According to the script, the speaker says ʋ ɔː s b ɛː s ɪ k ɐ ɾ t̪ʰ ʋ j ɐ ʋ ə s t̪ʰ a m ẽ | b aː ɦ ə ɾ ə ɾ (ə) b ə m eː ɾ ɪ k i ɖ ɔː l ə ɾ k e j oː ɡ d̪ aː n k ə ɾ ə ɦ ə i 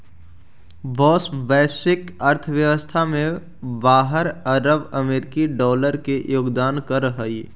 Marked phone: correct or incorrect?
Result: correct